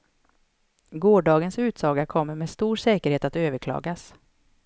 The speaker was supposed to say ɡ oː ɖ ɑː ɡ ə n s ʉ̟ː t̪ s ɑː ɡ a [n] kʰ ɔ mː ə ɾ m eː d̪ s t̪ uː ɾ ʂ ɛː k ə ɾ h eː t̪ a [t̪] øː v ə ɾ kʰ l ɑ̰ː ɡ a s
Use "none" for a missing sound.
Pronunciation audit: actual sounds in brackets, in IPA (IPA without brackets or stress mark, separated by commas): none, t̪